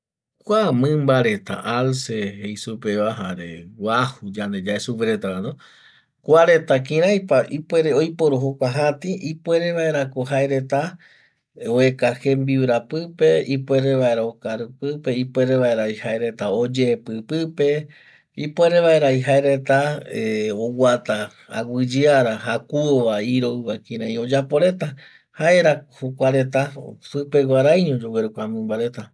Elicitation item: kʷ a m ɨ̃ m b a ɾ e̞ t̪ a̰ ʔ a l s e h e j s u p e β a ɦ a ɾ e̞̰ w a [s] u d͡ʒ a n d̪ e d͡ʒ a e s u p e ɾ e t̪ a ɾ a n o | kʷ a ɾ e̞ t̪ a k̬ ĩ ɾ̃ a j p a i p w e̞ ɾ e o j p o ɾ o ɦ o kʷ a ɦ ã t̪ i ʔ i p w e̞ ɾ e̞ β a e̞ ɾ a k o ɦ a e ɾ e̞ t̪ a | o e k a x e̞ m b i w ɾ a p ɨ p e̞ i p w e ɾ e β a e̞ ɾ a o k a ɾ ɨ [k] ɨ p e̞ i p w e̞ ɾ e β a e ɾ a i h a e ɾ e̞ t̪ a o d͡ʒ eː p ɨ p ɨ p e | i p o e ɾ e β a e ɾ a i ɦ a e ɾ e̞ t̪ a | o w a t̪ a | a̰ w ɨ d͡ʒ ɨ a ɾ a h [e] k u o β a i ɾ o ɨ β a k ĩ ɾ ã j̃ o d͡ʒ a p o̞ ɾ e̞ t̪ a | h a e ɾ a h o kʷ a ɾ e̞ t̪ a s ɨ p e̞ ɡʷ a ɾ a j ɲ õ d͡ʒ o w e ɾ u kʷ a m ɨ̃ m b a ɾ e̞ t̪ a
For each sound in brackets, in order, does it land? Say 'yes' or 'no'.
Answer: no, no, no

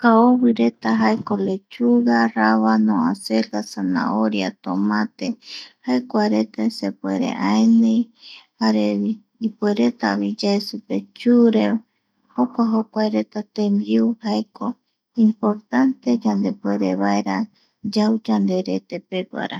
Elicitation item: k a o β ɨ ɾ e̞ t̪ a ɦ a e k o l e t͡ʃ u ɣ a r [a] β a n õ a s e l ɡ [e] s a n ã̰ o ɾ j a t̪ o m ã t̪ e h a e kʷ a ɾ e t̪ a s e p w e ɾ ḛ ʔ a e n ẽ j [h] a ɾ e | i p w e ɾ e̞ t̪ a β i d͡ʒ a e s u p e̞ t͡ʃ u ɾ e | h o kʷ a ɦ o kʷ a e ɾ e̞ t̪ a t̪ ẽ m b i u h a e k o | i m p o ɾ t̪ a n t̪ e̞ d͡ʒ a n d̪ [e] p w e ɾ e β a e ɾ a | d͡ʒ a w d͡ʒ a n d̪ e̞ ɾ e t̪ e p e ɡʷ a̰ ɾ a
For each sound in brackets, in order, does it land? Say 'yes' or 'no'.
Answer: yes, no, yes, yes

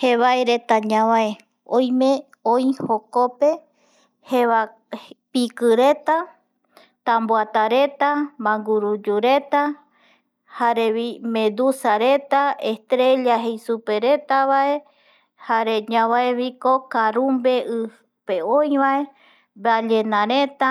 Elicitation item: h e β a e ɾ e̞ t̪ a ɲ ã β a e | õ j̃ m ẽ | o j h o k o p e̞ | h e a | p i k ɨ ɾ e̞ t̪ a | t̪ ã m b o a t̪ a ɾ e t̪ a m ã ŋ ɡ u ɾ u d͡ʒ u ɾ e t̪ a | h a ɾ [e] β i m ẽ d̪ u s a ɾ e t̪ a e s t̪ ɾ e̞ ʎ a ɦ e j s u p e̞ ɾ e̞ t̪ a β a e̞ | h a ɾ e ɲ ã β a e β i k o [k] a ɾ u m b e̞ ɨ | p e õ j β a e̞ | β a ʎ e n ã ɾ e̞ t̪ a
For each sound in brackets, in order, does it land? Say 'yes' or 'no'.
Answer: yes, yes

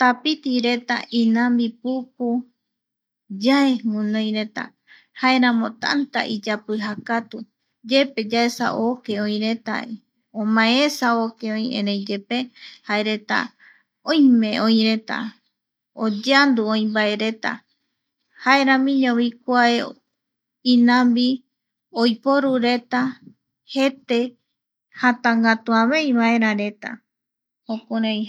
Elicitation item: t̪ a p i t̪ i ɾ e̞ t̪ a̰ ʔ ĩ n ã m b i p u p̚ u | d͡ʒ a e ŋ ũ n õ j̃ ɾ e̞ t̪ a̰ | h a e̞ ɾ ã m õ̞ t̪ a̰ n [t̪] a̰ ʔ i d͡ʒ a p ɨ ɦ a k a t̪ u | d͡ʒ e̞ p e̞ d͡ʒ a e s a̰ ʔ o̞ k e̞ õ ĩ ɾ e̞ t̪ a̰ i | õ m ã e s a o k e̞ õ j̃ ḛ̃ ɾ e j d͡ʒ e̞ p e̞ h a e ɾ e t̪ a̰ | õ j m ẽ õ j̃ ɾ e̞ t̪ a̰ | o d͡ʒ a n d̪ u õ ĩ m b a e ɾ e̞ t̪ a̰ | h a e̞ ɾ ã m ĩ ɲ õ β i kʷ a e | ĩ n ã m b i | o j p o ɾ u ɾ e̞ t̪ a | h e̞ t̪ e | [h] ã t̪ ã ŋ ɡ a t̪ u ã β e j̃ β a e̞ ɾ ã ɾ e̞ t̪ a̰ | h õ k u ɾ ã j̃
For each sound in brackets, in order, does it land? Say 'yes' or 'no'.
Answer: yes, yes

